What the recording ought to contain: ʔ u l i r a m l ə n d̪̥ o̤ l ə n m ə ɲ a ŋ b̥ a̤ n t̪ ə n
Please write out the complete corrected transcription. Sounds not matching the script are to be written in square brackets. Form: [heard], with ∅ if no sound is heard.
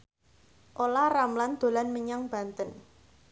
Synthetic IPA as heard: ʔ [o] l [a] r a m l [a] n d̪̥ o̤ l [a] n m ə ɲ a ŋ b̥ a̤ n t̪ ə n